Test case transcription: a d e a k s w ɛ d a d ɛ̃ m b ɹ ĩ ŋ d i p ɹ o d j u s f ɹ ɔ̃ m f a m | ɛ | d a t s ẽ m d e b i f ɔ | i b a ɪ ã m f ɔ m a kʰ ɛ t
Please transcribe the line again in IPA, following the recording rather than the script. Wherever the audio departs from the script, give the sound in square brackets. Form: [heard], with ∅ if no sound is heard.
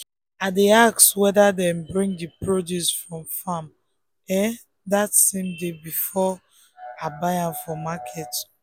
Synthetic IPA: a d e a k s w ɛ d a d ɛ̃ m b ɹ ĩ ŋ d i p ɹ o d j u s f ɹ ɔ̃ m f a m | ɛ | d a t s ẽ m d e b i f ɔ | [a] b a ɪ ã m f ɔ m a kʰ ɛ t